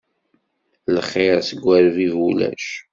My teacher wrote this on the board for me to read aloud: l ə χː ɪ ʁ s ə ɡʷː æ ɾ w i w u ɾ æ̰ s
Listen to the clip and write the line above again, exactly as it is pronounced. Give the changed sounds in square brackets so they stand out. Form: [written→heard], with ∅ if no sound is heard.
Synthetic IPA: l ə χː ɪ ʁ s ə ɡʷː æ ɾ [w→v] i [w→v] u [ɾ→l] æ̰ [s→ʃ]